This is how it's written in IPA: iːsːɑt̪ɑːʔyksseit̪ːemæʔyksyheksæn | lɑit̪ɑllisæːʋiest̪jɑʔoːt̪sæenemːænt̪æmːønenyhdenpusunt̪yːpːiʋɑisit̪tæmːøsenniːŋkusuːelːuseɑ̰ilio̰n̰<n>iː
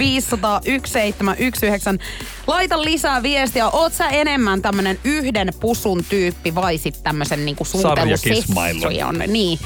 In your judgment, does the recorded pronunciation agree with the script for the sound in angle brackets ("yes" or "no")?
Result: yes